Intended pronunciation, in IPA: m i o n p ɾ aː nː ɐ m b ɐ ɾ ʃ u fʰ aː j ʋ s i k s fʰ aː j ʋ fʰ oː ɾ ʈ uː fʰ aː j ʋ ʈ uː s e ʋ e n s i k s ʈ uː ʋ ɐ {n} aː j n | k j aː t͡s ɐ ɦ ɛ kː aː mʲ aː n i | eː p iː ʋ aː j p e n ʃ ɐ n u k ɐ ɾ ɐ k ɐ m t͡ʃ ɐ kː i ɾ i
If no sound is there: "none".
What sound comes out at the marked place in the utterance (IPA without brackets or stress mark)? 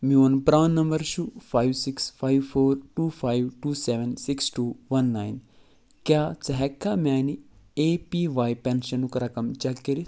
nː